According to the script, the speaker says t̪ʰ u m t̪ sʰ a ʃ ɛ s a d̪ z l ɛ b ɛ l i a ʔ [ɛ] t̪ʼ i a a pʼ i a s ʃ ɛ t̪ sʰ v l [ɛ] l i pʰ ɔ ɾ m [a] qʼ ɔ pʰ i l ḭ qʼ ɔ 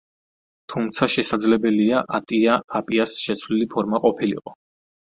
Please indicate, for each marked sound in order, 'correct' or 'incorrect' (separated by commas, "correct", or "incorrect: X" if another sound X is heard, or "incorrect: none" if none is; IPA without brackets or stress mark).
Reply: incorrect: a, incorrect: i, correct